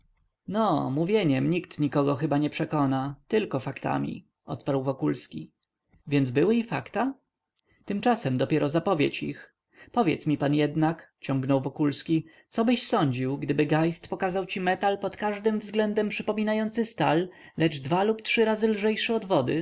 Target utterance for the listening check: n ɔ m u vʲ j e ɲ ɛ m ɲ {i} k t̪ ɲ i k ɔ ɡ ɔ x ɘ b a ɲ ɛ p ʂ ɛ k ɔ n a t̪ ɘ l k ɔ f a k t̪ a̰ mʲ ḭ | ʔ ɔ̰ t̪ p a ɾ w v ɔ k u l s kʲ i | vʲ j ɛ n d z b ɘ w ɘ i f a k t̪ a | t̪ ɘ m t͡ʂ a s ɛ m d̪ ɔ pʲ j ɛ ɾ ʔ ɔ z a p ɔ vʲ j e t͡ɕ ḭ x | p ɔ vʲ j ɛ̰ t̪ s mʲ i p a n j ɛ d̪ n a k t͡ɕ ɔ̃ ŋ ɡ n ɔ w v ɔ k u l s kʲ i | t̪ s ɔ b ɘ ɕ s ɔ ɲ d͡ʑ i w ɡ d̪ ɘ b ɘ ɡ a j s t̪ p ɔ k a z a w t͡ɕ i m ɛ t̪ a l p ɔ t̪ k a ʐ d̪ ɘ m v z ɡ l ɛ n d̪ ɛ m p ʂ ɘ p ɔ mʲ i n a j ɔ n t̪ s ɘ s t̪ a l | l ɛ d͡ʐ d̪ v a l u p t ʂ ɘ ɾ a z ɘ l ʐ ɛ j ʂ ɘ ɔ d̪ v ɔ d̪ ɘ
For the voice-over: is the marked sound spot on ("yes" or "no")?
yes